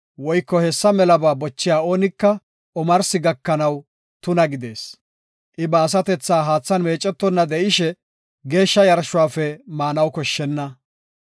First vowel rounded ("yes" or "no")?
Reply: yes